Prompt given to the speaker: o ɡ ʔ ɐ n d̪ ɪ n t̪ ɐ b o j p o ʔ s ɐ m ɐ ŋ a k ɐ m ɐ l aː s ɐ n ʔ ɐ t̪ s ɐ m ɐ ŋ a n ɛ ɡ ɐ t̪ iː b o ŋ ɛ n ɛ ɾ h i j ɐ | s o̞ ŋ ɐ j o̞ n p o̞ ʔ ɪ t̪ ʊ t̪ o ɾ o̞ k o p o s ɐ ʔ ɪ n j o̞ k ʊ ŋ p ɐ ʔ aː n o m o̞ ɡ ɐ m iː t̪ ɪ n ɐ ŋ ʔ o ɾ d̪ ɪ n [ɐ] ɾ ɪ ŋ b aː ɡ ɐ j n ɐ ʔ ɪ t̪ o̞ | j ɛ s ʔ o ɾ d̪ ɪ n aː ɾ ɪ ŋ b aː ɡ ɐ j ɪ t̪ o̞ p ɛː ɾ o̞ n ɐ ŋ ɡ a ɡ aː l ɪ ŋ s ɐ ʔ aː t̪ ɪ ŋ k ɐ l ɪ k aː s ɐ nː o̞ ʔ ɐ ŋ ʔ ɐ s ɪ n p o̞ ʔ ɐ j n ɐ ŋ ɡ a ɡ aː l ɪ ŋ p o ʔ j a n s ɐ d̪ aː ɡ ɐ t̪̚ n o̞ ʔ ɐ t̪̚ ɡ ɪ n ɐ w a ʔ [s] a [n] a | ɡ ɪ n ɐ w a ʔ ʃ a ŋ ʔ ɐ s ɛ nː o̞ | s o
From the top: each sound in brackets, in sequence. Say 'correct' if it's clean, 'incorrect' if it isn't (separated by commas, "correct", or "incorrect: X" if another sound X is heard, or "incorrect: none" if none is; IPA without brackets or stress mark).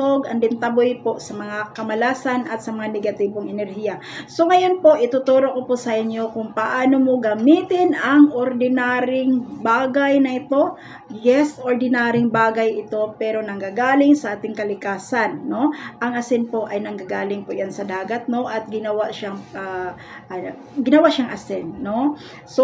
incorrect: a, incorrect: ʃ, incorrect: ŋ